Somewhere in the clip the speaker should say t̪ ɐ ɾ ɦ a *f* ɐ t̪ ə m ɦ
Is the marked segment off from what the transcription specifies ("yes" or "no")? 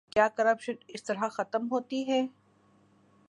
yes